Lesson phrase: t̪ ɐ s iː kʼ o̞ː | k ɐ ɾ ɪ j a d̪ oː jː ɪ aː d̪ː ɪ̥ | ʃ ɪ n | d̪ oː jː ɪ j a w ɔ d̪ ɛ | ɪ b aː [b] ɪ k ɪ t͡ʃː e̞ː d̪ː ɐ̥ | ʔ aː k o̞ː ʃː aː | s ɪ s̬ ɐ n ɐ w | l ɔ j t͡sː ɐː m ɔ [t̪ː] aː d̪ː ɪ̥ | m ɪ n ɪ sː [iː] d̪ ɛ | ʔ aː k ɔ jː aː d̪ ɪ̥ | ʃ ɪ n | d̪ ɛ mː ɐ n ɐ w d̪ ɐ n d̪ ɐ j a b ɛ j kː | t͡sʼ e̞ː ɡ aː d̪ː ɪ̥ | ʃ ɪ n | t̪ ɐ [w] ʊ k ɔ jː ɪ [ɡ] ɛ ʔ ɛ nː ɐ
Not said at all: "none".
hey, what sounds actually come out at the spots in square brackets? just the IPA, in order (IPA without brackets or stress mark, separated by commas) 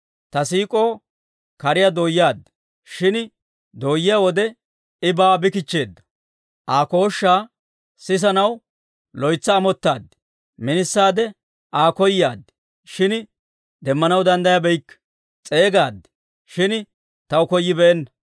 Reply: b, t̪ː, aː, w, b